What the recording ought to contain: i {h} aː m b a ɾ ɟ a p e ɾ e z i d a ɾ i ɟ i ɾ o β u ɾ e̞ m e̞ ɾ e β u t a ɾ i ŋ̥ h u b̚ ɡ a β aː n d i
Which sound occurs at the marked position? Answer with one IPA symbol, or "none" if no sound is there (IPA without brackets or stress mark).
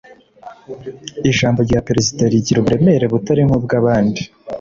ʃ